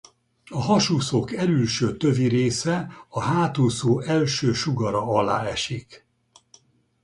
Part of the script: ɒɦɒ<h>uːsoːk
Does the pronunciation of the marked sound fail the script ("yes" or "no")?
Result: yes